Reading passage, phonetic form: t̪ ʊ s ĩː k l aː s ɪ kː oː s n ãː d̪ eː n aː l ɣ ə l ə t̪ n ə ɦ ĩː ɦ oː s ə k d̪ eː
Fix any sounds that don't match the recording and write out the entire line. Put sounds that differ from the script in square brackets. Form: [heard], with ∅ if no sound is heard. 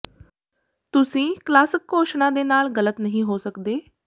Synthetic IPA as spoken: t̪ ʊ s ĩː k l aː s ɪ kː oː [ʃ] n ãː d̪ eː n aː l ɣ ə l ə t̪ n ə ɦ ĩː ɦ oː s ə k d̪ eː